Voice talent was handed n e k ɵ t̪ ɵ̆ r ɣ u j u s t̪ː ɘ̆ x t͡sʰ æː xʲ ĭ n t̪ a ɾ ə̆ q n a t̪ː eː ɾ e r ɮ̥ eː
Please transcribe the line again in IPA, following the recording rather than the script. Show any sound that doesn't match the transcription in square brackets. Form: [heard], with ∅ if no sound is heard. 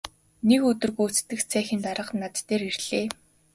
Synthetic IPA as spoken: n e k ɵ t̪ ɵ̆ r ɣ u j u [t͡s] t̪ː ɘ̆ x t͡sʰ æː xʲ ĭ n t̪ a ɾ ə̆ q n a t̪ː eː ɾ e r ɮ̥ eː

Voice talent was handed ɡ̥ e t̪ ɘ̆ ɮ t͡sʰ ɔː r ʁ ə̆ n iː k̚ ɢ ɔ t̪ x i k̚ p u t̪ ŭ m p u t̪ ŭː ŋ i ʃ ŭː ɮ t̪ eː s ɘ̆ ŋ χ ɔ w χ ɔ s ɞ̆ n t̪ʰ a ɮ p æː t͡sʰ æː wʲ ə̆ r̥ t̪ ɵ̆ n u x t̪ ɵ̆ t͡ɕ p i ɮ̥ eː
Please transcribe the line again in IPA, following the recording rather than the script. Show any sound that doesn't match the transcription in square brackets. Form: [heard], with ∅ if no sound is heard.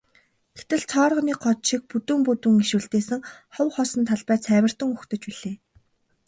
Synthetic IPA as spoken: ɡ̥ e t̪ ɘ̆ ɮ t͡sʰ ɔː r ʁ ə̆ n iː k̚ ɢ ɔ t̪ [ʃ] i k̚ p u t̪ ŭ m p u t̪ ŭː ŋ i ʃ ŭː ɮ t̪ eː s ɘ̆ ŋ χ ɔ w χ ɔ s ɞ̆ n t̪ʰ a ɮ p æː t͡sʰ æː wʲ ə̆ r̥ t̪ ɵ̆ [ŋ] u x t̪ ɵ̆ t͡ɕ p i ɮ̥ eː

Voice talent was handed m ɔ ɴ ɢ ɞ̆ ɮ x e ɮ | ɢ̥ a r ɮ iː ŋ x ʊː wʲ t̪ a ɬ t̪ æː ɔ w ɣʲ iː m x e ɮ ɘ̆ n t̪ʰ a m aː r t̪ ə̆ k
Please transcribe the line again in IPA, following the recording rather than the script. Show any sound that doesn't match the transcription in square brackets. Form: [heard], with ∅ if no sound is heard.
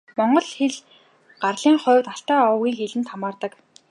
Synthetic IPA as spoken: m ɔ ɴ ɢ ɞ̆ ɮ x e ɮ | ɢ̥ a r ɮ iː ŋ [χ] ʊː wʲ t̪ a ɬ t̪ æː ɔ w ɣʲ iː [ŋ] x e ɮ ɘ̆ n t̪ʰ a m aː r t̪ ə̆ k

